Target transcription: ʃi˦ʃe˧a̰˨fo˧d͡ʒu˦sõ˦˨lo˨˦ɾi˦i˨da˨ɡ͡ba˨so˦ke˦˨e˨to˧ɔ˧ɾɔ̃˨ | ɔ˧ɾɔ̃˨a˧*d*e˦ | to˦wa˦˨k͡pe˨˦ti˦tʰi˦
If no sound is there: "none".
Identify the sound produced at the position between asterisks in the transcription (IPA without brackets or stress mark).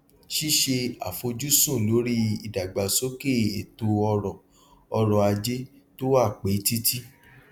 d͡ʒ